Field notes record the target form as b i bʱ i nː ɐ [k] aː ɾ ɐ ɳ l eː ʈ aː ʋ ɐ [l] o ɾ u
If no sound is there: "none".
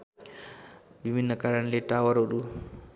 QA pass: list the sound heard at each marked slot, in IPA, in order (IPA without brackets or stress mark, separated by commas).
k, ɾ